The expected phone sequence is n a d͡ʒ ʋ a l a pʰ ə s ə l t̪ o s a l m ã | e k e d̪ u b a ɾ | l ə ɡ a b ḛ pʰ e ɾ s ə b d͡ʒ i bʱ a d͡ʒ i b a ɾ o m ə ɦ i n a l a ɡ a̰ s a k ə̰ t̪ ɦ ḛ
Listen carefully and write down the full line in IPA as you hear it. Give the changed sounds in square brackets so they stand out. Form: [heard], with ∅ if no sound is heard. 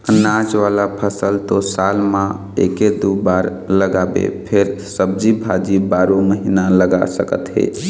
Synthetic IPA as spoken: n a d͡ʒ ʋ a l a pʰ ə s ə l t̪ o s a l m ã | e k e d̪ u b a ɾ | l ə ɡ a b ḛ pʰ e ɾ s ə b d͡ʒ i bʱ a d͡ʒ i b a ɾ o m ə ɦ i n a l [ə] ɡ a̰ s [ə] k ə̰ t̪ ɦ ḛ